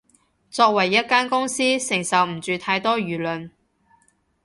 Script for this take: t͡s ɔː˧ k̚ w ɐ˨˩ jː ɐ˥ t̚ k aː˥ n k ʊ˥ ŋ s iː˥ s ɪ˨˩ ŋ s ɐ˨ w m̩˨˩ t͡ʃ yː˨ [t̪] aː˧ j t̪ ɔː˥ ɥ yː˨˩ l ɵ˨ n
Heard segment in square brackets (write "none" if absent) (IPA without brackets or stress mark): t̪ʰ